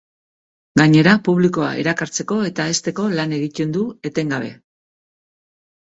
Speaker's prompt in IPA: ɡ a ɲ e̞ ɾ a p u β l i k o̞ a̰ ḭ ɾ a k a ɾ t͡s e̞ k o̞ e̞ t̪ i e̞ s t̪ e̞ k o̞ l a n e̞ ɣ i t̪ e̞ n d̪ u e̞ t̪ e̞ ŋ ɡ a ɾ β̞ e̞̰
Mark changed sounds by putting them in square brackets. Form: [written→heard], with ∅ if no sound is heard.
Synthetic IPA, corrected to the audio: ɡ a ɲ e̞ ɾ a p u β l i k o̞ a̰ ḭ ɾ a k a ɾ t͡s e̞ k o̞ e̞ t̪ [i→a] e̞ s t̪ e̞ k o̞ l a n e̞ ɣ i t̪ e̞ n d̪ u e̞ t̪ e̞ ŋ ɡ a [ɾ→∅] β̞ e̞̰

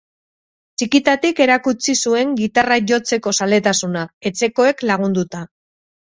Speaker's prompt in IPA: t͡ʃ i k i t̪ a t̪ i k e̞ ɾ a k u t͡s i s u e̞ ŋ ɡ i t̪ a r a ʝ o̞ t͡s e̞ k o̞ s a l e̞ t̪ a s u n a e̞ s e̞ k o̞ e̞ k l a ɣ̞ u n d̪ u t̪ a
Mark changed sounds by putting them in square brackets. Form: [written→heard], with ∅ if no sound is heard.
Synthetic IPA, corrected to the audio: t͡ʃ i k i t̪ a t̪ i k e̞ ɾ a k u t͡s i s u e̞ ŋ ɡ i t̪ a r a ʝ o̞ t͡s e̞ k o̞ s a l e̞ t̪ a s u n a e̞ [s→t͡s] e̞ k o̞ e̞ k l a ɣ̞ u n d̪ u t̪ a

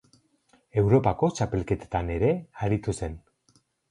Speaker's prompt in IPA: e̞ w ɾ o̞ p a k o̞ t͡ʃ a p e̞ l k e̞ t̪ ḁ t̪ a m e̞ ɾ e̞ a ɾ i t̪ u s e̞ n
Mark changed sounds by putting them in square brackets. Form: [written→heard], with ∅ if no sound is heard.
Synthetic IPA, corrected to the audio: e̞ w ɾ o̞ p a k o̞ t͡ʃ a p e̞ l k e̞ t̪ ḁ t̪ a [m→n] e̞ ɾ e̞ a ɾ i t̪ u s e̞ n

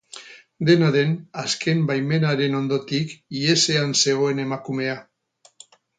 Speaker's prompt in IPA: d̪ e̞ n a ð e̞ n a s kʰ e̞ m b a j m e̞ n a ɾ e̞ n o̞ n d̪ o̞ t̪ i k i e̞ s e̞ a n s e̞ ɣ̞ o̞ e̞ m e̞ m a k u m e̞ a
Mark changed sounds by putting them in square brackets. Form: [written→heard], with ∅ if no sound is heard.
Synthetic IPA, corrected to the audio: d̪ e̞ n a ð e̞ n a s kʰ e̞ m b a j m e̞ n a ɾ e̞ n o̞ n d̪ o̞ t̪ i k i e̞ s e̞ a n s e̞ ɣ̞ o̞ e̞ [m→n] e̞ m a k u m e̞ a

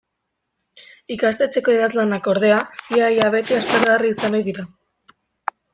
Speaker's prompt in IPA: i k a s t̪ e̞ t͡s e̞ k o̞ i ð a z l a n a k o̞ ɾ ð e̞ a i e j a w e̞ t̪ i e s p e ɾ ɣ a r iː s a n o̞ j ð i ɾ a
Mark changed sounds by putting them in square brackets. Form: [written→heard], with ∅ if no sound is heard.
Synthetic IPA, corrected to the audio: i k a s t̪ e̞ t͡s e̞ k o̞ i ð a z l a n a k o̞ ɾ ð e̞ a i [e→a] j a [w→β] e̞ t̪ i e s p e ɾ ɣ a r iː s a n o̞ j ð i ɾ a

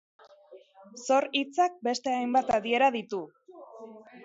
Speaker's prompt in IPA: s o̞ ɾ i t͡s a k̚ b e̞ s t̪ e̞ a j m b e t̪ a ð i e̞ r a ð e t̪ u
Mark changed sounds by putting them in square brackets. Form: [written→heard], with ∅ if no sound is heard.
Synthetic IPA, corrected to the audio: s o̞ ɾ i t͡s a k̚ b e̞ s t̪ e̞ a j m b [e→a] t̪ a ð i e̞ [r→ɾ] a ð [e→i] t̪ u

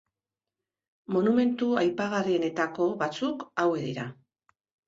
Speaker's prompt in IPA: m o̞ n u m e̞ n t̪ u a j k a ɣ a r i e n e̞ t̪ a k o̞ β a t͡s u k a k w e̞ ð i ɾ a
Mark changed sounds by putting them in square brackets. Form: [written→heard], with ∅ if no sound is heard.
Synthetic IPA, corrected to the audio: m o̞ n u m e̞ n t̪ u a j [k→p] a ɣ a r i e n e̞ t̪ a k o̞ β a t͡s u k a [k→∅] w e̞ ð i ɾ a

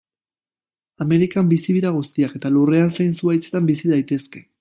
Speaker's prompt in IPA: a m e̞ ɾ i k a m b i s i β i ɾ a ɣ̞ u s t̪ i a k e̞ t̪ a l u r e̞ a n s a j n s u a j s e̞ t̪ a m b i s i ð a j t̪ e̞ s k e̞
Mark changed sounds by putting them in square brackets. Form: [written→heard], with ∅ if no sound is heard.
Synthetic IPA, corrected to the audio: a m e̞ ɾ i k a m b i s i β i ɾ a ɣ̞ u s t̪ i a k e̞ t̪ a l u r e̞ a n s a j n s u a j [s→t͡s] e̞ t̪ a m b i s i ð a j t̪ e̞ s k e̞

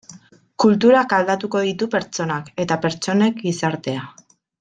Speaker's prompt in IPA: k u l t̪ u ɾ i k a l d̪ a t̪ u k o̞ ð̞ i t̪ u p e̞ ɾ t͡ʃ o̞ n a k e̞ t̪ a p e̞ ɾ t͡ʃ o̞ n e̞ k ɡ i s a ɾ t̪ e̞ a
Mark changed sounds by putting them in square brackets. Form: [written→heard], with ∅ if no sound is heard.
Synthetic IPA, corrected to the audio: k u l t̪ u ɾ [i→a] k a l d̪ a t̪ u k o̞ ð̞ i t̪ u p e̞ ɾ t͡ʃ o̞ n a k e̞ t̪ a p e̞ ɾ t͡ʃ o̞ n e̞ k ɡ i s a ɾ t̪ e̞ a

